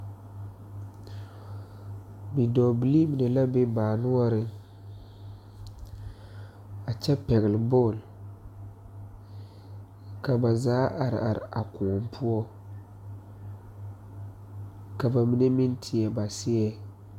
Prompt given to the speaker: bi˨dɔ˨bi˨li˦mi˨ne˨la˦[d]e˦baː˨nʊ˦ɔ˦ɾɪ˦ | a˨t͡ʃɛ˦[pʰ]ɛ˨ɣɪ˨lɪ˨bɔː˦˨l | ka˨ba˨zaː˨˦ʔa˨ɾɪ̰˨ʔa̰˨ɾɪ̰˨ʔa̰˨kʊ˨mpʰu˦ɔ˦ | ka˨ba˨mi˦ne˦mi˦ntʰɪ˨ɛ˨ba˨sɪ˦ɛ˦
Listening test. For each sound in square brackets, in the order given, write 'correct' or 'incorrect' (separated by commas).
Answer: incorrect, incorrect